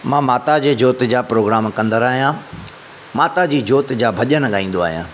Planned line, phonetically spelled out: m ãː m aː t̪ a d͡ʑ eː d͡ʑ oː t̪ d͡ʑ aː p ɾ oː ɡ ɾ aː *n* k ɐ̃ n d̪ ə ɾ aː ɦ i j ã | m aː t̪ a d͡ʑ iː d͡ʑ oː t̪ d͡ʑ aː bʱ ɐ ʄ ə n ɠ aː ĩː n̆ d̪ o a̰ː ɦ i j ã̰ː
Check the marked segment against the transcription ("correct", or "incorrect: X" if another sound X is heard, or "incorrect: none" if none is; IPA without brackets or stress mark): incorrect: m